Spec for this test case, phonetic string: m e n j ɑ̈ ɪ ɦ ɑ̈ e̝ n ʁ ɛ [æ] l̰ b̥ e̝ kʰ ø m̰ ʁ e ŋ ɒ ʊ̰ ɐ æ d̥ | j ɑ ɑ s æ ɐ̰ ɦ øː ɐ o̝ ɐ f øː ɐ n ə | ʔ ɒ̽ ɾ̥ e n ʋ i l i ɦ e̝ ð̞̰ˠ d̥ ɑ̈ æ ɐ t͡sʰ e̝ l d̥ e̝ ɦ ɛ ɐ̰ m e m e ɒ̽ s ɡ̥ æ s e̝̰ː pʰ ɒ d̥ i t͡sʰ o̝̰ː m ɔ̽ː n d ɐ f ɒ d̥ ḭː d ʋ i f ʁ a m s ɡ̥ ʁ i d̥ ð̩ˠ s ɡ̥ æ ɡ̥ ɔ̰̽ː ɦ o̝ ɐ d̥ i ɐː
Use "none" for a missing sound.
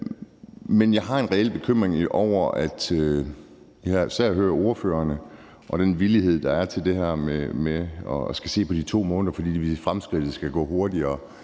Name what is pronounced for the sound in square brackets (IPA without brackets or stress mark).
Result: e